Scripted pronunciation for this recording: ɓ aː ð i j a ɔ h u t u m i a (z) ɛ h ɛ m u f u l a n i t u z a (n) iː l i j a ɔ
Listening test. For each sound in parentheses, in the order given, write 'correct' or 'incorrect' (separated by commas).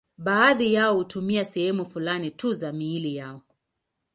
incorrect, incorrect